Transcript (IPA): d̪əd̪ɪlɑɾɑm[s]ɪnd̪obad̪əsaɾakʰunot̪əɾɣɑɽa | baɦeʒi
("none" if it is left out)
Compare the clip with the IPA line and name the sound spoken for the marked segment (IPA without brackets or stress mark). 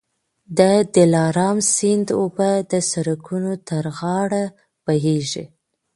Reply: s